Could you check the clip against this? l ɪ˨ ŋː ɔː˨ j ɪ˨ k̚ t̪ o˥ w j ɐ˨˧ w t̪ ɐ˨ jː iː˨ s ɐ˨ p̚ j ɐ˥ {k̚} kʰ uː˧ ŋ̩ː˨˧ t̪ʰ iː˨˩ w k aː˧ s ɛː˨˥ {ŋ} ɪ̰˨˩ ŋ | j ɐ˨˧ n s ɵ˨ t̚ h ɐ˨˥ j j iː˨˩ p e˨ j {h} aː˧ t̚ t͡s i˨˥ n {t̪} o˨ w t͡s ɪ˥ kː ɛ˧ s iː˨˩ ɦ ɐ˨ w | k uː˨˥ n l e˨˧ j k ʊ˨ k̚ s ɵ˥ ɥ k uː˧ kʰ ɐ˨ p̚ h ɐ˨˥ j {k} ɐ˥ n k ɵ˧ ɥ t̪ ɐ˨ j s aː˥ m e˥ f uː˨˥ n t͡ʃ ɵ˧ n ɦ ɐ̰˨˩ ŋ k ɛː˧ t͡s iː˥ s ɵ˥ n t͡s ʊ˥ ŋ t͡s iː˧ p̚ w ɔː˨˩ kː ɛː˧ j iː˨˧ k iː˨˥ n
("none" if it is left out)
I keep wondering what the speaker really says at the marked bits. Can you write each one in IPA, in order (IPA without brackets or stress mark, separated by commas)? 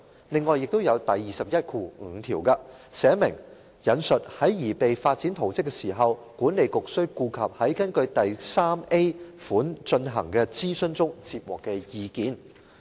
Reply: t̚, m, f, t̪ʰ, k